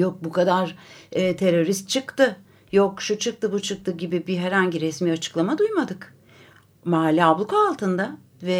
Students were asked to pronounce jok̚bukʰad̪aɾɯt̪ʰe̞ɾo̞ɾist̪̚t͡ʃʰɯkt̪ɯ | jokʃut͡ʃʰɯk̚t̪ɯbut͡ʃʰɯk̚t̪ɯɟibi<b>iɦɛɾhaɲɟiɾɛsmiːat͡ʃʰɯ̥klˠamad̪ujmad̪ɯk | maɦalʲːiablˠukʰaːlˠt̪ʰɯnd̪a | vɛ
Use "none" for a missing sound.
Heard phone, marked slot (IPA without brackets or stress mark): b